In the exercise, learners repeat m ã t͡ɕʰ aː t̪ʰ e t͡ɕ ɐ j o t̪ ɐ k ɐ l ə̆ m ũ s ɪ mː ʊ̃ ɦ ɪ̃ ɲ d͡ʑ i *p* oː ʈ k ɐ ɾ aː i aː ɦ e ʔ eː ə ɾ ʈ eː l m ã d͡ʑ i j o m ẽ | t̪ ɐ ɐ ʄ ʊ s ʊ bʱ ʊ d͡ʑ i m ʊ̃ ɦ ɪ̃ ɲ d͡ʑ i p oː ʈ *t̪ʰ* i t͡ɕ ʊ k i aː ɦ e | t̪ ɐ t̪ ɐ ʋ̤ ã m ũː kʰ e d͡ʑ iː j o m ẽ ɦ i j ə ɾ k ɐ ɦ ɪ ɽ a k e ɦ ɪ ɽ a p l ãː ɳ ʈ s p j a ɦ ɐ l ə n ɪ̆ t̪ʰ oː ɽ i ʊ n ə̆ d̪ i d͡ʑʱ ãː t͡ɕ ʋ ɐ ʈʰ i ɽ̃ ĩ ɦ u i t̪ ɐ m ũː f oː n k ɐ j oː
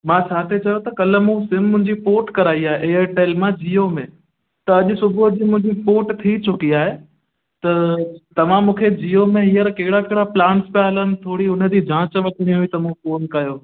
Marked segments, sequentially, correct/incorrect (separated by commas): correct, correct